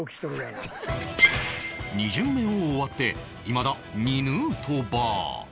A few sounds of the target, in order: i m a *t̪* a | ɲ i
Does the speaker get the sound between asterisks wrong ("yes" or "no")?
yes